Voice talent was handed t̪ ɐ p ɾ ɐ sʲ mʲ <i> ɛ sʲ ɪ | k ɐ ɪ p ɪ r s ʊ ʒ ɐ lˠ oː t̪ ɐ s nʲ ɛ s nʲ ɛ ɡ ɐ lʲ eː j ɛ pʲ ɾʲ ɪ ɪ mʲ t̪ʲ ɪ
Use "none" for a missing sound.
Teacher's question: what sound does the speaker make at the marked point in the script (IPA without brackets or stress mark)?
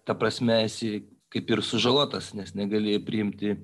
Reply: ɛ